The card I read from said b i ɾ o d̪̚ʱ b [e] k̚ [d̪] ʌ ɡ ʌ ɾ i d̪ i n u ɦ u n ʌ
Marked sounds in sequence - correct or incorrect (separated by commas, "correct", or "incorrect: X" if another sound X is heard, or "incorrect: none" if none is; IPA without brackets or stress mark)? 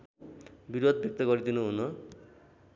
correct, incorrect: t̪